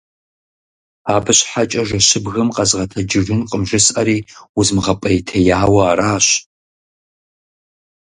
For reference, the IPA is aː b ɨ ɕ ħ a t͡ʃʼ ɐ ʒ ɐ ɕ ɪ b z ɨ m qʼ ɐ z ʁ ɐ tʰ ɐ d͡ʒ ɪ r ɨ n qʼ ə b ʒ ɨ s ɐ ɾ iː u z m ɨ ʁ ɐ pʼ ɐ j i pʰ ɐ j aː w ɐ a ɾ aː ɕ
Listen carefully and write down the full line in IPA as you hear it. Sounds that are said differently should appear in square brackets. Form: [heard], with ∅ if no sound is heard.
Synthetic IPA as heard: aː b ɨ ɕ ħ a t͡ʃʼ ɐ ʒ ɐ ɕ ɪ b [ɣ] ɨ m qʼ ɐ z ʁ ɐ tʰ ɐ d͡ʒ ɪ r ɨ n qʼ ə [m] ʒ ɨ s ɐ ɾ iː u z m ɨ ʁ ɐ pʼ ɐ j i [tʰ] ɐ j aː w ɐ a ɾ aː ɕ